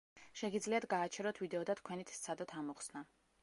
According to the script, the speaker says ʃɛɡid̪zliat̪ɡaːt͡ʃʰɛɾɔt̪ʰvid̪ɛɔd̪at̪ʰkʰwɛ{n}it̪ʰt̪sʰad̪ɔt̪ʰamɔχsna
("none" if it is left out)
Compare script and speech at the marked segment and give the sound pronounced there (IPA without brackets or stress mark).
n